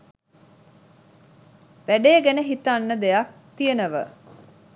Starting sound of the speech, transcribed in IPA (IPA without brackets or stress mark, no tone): ʋ